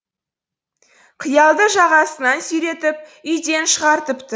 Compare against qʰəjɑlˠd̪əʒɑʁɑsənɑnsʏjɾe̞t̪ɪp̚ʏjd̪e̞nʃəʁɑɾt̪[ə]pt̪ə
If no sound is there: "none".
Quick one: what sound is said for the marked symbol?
ə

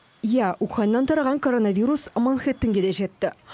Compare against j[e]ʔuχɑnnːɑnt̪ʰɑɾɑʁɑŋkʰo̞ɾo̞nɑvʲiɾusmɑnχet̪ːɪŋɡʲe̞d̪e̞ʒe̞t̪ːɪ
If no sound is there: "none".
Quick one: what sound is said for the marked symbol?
æ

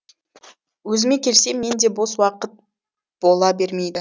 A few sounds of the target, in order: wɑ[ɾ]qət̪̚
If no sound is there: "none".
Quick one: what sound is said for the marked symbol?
none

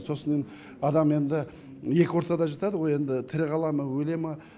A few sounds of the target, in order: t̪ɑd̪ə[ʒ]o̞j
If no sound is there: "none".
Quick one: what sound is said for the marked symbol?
ʁ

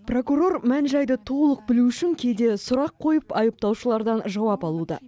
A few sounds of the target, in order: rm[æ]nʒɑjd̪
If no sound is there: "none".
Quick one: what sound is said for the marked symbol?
æ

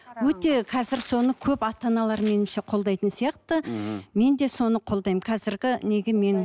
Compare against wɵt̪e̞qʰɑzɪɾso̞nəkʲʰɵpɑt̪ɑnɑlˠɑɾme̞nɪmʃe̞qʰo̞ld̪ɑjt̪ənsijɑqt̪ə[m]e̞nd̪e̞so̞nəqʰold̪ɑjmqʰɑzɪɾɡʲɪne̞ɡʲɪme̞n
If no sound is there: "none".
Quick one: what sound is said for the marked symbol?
m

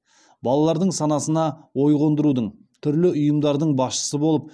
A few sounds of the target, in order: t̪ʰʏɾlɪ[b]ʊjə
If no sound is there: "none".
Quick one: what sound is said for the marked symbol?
none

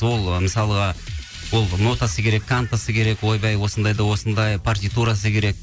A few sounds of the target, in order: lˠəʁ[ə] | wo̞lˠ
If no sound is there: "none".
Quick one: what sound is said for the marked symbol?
ɑ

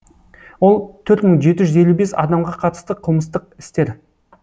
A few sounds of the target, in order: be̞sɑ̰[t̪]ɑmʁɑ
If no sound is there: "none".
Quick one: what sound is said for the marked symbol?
d̪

